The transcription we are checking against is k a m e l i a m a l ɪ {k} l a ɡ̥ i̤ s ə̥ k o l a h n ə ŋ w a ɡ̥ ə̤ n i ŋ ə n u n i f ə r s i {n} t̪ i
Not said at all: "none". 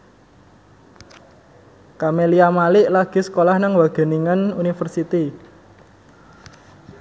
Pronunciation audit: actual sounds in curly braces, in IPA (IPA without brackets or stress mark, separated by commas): ʔ, none